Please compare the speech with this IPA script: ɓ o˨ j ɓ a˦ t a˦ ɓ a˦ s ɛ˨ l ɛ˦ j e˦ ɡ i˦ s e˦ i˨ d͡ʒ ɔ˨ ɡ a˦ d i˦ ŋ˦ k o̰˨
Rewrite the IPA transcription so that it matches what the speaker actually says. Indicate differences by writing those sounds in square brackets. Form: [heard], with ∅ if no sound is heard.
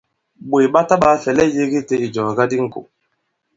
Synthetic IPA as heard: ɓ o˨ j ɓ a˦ t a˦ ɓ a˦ [f] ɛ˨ l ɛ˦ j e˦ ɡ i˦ [t] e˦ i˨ d͡ʒ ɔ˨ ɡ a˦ d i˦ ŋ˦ k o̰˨